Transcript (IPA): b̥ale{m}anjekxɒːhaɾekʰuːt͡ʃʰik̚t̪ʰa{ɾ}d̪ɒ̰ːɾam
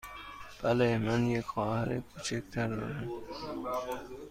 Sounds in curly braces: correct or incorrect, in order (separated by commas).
correct, correct